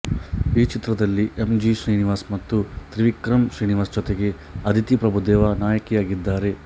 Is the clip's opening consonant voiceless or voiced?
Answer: voiceless